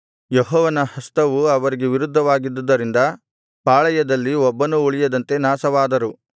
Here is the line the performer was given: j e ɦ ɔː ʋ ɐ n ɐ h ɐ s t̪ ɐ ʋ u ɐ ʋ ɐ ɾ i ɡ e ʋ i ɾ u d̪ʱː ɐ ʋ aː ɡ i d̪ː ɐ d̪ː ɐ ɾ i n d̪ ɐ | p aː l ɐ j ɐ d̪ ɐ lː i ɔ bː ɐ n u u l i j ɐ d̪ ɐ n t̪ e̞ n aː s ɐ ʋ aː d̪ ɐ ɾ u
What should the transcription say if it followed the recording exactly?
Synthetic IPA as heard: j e ɦ ɔː ʋ ɐ n ɐ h ɐ s t̪ ɐ ʋ u ɐ ʋ ɐ ɾ i ɡ e ʋ i ɾ u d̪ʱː ɐ ʋ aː ɡ i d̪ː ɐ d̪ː ɐ ɾ i n d̪ ɐ | p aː ɭ ɐ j ɐ d̪ ɐ lː i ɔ bː ɐ n u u ɭ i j ɐ d̪ ɐ n t̪ e̞ n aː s ɐ ʋ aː d̪ ɐ ɾ u